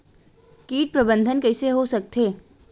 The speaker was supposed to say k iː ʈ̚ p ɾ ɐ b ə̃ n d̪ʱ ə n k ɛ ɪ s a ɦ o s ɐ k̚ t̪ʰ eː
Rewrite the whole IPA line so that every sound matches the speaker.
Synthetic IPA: k iː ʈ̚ p ɾ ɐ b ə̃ n d̪ʱ ə n k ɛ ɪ s e ɦ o s ɐ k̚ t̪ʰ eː